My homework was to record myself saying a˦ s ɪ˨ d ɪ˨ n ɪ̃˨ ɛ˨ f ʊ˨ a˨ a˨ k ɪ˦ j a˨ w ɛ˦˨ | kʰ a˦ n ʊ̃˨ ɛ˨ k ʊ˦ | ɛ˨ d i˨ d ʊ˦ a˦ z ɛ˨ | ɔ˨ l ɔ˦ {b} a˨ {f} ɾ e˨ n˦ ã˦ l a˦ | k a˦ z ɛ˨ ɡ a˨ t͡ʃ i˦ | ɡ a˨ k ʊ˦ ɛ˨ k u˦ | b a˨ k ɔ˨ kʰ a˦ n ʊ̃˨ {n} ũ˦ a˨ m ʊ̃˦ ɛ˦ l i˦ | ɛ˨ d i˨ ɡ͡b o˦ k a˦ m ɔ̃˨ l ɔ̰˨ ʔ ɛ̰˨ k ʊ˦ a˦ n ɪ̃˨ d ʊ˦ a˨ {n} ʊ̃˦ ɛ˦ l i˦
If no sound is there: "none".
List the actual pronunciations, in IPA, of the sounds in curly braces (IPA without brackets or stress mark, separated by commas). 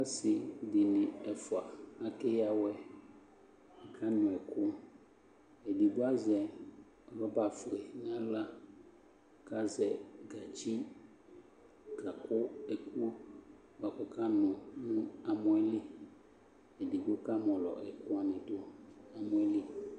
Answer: b, f, n, m